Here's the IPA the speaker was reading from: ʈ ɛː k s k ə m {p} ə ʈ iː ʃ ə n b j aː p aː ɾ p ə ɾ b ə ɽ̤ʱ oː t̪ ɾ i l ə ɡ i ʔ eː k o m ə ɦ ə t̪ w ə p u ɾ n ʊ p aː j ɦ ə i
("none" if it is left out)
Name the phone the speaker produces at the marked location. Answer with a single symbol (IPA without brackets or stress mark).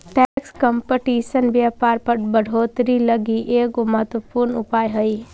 p